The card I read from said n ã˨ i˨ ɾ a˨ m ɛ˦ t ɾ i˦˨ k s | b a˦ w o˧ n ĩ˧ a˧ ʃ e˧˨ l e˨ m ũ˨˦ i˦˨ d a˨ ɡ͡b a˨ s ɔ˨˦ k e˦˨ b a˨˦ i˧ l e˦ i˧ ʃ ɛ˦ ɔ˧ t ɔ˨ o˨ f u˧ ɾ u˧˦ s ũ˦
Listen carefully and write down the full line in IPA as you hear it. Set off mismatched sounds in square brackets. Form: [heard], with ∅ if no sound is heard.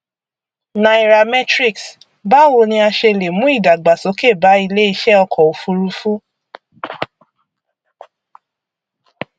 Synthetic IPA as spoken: n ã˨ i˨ ɾ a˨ m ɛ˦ t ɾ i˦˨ k s | b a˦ w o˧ n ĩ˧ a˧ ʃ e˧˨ l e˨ m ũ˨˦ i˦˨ d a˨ ɡ͡b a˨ s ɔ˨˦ k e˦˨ b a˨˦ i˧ l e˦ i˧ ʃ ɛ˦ ɔ˧ [k] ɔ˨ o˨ f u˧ ɾ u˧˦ [f] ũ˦